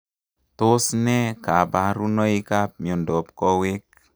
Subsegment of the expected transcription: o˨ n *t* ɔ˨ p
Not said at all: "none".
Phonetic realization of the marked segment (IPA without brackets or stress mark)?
d